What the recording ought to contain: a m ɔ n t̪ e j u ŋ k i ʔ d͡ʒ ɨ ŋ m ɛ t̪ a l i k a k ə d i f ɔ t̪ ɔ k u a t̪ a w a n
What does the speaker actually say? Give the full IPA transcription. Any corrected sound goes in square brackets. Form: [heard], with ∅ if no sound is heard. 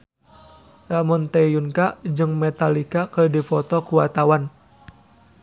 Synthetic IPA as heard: a m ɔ n t̪ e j u [n] k [a] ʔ d͡ʒ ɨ ŋ m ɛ t̪ a l i k a k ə d i f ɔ t̪ ɔ k u a t̪ a w a n

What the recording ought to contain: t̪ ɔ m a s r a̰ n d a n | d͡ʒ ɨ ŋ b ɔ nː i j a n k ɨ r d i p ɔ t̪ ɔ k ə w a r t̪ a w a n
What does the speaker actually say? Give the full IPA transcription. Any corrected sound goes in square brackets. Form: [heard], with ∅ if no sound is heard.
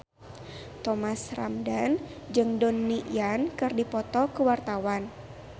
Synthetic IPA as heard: t̪ ɔ m a s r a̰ [m] d a n | d͡ʒ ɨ ŋ [d] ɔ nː i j a n k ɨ r d i p ɔ t̪ ɔ k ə w a r t̪ a w a n

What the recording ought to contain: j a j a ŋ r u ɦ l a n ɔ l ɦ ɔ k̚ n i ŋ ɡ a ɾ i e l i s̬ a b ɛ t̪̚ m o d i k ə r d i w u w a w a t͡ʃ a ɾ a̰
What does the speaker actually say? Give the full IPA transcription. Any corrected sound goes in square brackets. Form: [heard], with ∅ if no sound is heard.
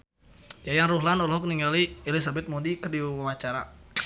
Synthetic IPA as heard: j a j a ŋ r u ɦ l a n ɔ l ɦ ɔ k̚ n i ŋ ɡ a [l] i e l i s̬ a b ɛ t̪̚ m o d i k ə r d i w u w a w a t͡ʃ a ɾ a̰

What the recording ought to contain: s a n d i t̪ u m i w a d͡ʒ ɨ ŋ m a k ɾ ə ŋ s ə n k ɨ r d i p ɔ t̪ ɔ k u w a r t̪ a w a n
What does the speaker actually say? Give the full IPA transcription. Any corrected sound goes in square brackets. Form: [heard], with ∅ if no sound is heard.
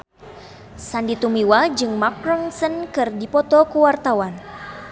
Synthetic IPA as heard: s a n d i t̪ u m i w a d͡ʒ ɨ ŋ m a k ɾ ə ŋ s ə n k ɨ r d i p ɔ t̪ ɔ k u w a r t̪ a w a n

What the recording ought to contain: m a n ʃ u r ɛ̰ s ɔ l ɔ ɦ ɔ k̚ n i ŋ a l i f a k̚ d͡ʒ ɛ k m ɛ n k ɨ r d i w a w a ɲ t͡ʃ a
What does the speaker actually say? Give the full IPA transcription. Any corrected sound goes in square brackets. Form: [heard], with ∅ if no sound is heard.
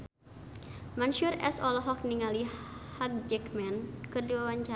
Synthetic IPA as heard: m a n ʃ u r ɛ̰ s ɔ l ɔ ɦ ɔ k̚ n i ŋ a l i [h] a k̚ d͡ʒ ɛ k m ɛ n k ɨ r d i w a w a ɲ t͡ʃ a

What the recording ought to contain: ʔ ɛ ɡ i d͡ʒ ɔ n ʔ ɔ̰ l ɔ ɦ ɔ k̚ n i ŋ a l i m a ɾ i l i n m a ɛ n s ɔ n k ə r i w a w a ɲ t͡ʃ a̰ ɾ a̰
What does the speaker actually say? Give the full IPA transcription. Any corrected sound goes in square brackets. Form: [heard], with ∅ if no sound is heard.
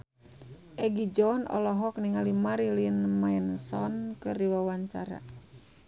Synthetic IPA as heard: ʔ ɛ ɡ i d͡ʒ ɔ n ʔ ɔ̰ l ɔ ɦ ɔ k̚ n i ŋ a l i m a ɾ i l i n m a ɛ n s ɔ n k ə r i w a w a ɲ t͡ʃ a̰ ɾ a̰

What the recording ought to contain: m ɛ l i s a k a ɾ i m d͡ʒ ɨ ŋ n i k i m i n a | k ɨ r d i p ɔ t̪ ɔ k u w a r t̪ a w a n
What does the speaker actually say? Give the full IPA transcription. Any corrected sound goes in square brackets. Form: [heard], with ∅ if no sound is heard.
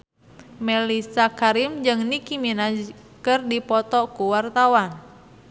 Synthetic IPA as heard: m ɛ l i s a k a ɾ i m d͡ʒ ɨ ŋ n i k i m i n a | k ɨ r d i p ɔ t̪ ɔ k u w a r t̪ a w a n

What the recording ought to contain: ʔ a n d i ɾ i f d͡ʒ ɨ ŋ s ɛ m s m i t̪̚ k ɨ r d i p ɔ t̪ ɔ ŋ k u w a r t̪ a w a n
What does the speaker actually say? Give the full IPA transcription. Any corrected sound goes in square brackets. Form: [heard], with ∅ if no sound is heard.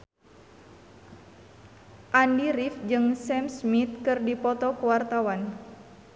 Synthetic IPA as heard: ʔ a n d i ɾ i f d͡ʒ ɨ ŋ s ɛ m s m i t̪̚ k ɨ r d i p ɔ t̪ ɔ [∅] k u w a r t̪ a w a n

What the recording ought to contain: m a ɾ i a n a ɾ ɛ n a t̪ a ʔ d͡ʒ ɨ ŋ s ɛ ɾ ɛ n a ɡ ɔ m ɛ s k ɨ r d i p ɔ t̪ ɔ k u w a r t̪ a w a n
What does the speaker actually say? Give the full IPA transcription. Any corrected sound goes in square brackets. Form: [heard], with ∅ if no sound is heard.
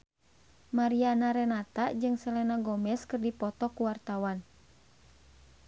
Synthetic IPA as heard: m a ɾ i a n a ɾ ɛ n a t̪ a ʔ d͡ʒ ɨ ŋ s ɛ [l] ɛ n a ɡ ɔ m ɛ s k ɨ r d i p ɔ t̪ ɔ k u w a r t̪ a w a n

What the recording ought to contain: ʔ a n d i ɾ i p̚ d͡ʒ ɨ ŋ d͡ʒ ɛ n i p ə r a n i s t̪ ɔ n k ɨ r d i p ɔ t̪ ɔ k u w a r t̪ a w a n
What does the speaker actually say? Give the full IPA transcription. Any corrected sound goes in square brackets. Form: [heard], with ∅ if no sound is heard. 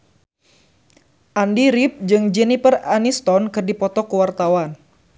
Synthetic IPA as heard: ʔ a n d i ɾ i p̚ d͡ʒ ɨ ŋ d͡ʒ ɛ n i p ə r a n i s t̪ ɔ n k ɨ r d i p ɔ t̪ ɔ k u w a r t̪ a w a n

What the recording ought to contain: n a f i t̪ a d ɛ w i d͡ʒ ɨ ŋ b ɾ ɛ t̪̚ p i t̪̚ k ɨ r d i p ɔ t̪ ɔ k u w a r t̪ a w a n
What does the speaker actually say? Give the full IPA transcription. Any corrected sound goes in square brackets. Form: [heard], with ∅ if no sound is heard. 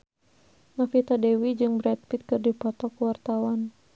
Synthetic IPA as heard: n a f i t̪ a d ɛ w i d͡ʒ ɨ ŋ b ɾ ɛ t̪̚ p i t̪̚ k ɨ r d i p ɔ t̪ ɔ k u w a r t̪ a w a n

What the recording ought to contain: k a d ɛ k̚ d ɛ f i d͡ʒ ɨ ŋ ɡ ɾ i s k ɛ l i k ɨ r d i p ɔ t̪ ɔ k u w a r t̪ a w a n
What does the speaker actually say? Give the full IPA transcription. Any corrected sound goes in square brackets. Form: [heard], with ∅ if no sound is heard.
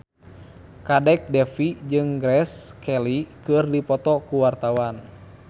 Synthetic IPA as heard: k a d ɛ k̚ d ɛ f i d͡ʒ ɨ ŋ ɡ ɾ [ɛ] s k ɛ l i k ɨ r d i p ɔ t̪ ɔ k u w a r t̪ a w a n

